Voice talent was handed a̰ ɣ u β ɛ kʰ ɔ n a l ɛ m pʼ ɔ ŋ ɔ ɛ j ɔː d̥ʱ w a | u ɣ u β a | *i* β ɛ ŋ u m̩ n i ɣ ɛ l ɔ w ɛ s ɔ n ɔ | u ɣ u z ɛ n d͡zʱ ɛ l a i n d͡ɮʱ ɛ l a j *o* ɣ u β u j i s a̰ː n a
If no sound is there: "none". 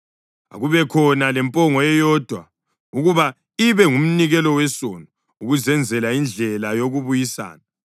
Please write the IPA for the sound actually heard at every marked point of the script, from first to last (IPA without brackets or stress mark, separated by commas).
i, o